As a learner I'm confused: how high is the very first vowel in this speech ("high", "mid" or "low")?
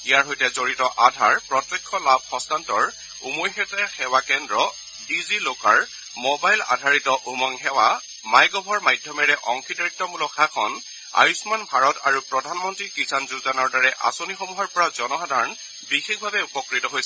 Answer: high